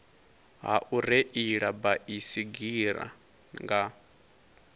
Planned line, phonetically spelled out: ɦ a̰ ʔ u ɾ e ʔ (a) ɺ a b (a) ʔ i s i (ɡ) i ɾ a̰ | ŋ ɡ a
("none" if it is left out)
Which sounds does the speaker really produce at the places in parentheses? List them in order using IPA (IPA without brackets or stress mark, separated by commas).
i, a, ɡ